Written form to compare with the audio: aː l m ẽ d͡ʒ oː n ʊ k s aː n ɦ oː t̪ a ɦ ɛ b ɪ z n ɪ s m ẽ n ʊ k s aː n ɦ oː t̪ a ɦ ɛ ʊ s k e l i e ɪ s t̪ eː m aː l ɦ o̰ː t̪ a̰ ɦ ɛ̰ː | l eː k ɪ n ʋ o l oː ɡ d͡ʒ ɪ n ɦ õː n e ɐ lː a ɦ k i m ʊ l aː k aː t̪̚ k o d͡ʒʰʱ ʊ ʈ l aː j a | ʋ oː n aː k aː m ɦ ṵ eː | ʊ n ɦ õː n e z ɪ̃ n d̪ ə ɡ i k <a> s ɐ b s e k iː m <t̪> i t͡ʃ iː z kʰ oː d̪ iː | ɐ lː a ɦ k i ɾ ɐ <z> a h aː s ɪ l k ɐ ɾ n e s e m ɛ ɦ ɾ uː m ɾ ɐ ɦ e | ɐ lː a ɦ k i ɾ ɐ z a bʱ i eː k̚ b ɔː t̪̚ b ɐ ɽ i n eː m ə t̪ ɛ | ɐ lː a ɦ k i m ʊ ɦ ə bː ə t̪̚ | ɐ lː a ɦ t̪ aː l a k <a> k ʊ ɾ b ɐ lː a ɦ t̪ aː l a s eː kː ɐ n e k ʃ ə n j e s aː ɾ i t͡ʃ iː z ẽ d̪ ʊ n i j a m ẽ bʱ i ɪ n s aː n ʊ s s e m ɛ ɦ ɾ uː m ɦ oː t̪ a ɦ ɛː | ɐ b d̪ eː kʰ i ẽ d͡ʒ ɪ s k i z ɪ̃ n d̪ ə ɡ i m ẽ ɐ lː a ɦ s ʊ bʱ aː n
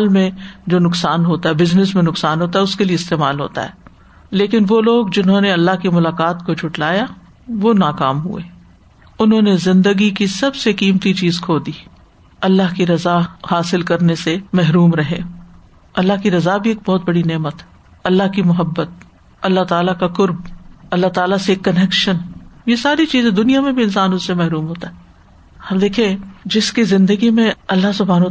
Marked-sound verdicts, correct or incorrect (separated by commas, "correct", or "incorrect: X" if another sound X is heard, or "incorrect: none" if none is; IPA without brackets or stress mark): incorrect: i, correct, correct, correct